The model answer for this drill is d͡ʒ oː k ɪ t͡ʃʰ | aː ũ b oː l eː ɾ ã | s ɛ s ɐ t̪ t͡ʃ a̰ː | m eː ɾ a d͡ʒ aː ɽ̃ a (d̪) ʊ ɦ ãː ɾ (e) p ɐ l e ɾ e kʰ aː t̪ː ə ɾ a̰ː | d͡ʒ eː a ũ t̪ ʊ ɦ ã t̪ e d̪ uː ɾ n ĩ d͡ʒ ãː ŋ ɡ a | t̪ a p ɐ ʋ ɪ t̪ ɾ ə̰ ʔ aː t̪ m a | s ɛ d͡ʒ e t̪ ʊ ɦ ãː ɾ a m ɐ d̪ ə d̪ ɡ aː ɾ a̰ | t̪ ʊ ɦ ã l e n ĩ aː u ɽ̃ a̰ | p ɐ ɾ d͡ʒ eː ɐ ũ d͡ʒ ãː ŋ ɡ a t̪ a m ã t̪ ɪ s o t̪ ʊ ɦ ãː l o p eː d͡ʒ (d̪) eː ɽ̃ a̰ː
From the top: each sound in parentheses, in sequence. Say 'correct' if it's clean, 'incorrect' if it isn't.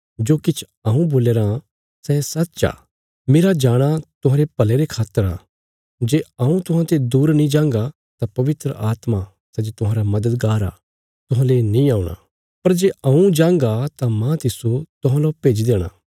incorrect, correct, correct

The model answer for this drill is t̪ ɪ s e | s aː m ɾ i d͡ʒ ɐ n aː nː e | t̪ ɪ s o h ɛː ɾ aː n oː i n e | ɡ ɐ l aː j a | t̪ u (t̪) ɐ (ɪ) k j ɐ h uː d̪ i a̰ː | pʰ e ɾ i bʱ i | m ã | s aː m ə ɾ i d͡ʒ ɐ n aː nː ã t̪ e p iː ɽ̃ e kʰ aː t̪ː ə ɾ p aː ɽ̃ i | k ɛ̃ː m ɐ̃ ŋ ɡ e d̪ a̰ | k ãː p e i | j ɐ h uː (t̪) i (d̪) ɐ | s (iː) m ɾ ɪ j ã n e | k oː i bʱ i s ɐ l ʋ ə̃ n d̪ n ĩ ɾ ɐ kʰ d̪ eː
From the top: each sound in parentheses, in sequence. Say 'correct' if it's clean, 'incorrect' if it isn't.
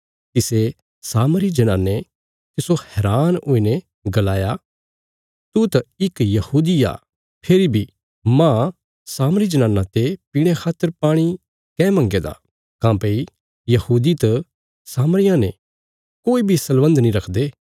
correct, correct, incorrect, incorrect, incorrect

